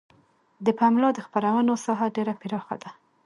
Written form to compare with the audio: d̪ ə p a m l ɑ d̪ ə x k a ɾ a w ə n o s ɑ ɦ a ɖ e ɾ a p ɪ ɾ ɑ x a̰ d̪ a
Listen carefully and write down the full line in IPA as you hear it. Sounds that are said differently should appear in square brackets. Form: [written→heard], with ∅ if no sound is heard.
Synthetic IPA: d̪ ə p a m l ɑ d̪ ə x [k→p] a ɾ a w ə n o s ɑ ɦ a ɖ e ɾ a p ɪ ɾ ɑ x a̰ d̪ a